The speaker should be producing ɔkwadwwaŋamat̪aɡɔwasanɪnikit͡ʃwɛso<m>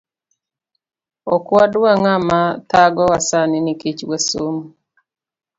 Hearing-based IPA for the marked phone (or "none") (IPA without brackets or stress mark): m